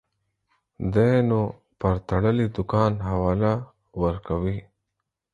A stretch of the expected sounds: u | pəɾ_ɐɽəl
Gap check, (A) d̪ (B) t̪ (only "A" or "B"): B